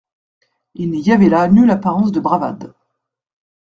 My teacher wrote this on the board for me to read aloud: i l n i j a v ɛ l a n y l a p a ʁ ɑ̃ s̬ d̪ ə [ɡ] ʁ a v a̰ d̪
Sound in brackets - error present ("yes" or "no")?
yes